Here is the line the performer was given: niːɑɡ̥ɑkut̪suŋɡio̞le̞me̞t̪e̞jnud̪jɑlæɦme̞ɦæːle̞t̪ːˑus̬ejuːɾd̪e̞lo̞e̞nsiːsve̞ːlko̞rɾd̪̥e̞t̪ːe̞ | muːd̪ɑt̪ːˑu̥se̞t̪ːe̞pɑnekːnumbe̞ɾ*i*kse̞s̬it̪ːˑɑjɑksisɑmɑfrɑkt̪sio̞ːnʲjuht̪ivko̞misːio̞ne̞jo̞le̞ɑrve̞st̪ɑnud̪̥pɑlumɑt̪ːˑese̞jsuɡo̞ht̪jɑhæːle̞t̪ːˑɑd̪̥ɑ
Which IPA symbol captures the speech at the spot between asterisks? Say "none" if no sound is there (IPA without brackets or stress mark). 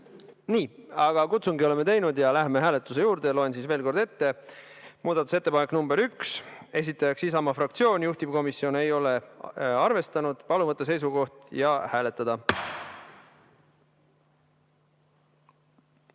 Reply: y